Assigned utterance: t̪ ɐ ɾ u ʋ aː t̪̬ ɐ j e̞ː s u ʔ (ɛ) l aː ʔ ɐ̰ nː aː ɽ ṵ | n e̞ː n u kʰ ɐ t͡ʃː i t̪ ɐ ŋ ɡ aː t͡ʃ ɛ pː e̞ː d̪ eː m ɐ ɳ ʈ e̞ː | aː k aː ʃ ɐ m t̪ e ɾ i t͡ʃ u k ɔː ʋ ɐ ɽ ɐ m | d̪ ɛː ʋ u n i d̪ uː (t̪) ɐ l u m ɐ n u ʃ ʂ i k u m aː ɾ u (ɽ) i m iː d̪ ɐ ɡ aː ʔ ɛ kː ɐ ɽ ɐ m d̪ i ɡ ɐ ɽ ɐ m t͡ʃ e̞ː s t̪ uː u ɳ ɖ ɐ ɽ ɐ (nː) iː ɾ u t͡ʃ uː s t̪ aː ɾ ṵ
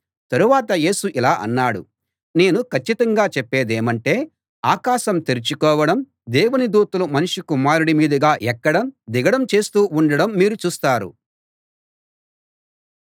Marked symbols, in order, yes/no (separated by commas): no, yes, yes, no